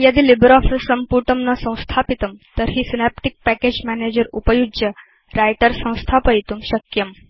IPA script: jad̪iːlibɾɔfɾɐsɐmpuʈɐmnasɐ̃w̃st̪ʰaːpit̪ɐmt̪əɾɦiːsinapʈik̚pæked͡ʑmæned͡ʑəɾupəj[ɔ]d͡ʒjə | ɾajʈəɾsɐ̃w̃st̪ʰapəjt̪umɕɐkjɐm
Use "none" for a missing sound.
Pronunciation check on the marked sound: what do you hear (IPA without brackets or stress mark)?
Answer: u